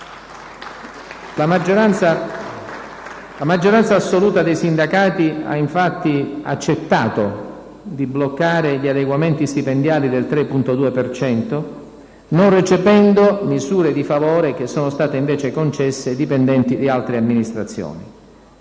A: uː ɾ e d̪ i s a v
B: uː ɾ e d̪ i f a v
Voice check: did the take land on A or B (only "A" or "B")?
B